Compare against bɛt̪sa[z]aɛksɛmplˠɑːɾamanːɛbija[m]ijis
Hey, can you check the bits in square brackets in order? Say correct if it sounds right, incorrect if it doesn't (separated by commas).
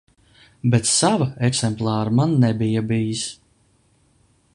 incorrect, incorrect